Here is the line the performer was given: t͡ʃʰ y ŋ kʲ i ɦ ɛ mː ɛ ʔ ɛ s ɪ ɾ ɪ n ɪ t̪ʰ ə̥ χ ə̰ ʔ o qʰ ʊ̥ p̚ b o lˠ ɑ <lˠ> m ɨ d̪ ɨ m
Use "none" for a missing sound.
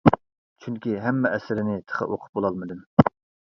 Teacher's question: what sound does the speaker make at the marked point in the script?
lˠ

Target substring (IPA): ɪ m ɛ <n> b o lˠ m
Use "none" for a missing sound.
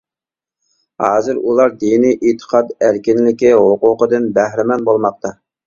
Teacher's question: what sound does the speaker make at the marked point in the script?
n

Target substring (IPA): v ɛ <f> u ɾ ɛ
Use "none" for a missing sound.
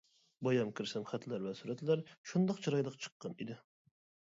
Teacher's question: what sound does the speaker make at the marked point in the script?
s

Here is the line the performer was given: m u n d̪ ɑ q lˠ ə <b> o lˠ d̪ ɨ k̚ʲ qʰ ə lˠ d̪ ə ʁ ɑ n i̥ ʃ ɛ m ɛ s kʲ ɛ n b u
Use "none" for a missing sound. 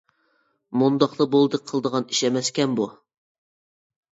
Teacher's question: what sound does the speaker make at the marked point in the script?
b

